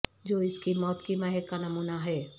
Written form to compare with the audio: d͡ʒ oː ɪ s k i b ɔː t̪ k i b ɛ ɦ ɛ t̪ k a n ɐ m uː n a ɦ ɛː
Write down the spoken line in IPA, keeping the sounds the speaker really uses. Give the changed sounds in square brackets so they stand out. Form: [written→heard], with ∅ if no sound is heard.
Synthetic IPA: d͡ʒ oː ɪ s k i [b→m] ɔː t̪ k i [b→m] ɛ ɦ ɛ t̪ k a n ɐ m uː n a ɦ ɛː